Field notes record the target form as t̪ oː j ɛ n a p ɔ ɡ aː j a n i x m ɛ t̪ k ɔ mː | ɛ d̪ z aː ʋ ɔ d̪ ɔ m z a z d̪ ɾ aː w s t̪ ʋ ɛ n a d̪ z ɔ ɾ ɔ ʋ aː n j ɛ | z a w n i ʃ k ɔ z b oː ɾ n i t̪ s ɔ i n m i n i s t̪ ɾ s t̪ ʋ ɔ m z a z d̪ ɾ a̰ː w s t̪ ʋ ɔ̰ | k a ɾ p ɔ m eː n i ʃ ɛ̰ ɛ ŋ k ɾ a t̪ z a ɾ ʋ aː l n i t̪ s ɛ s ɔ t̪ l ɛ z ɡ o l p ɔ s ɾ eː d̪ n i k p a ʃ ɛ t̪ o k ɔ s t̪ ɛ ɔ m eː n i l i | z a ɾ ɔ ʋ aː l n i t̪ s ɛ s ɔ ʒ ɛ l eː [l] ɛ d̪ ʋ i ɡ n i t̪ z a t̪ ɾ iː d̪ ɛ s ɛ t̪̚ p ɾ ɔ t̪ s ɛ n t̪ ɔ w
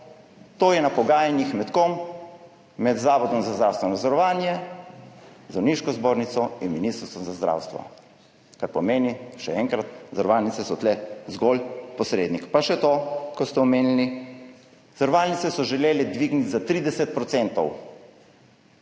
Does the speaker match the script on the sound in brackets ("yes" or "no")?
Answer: yes